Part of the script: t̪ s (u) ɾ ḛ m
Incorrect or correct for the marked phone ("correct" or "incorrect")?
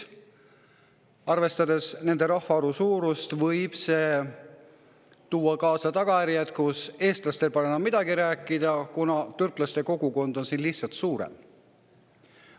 incorrect